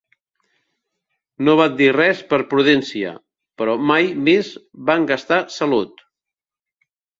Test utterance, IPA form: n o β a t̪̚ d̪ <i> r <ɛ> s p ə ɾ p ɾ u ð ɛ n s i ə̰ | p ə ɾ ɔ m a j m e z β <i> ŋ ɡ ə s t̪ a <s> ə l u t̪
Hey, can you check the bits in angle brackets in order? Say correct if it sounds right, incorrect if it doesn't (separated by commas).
correct, correct, incorrect, correct